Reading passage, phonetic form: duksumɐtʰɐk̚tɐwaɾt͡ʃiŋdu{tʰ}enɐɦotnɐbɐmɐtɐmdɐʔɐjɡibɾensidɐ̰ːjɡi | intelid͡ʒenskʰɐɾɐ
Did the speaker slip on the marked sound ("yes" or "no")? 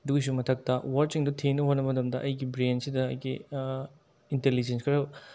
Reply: no